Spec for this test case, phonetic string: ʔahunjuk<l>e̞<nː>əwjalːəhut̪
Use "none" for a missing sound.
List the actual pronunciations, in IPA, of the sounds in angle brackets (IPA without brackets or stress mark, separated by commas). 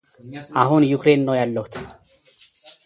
ɾ, nː